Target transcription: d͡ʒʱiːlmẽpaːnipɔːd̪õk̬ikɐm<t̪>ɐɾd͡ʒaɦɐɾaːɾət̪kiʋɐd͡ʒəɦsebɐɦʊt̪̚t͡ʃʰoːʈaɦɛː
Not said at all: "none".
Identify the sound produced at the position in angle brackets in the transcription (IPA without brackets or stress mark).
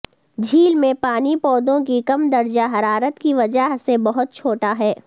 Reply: d̪